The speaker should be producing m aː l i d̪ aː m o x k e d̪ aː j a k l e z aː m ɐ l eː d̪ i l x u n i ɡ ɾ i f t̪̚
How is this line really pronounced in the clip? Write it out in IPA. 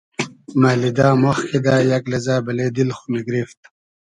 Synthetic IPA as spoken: m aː l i d̪ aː m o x k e d̪ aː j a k l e z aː b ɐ l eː d̪ i l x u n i ɡ ɾ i f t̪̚